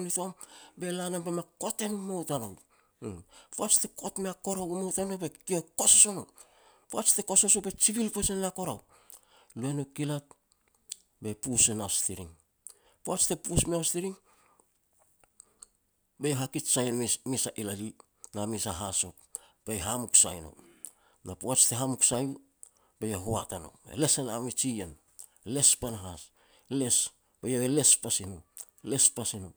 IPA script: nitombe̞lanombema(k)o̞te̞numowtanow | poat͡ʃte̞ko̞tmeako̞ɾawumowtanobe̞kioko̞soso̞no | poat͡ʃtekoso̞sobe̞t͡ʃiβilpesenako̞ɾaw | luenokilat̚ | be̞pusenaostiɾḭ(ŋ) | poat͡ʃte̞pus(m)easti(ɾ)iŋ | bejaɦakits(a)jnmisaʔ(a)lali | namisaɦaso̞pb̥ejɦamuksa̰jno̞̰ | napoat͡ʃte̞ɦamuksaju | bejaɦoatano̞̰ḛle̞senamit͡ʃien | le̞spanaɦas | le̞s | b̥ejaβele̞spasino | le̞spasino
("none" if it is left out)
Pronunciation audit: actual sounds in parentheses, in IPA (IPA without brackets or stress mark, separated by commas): k, ŋ, m, ɾ, a, i